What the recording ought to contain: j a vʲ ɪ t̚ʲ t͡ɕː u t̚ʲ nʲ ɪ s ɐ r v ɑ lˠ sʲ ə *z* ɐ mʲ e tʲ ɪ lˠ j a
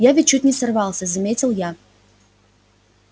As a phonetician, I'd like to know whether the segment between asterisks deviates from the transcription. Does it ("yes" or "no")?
no